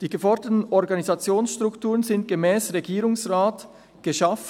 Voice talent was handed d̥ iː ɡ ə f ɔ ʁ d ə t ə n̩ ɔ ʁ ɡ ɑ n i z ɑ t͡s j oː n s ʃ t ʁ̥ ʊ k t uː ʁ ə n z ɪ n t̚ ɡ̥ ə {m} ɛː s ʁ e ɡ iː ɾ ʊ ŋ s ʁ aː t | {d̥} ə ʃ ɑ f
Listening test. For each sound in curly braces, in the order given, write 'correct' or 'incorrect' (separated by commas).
correct, incorrect